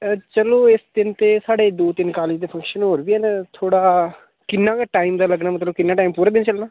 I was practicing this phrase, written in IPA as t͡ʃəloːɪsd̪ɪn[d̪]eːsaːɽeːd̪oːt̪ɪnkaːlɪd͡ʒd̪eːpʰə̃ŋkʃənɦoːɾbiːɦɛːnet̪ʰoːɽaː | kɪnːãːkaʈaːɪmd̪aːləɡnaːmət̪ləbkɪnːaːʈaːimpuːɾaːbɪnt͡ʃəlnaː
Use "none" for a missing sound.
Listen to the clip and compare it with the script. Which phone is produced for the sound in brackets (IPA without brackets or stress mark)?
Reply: t̪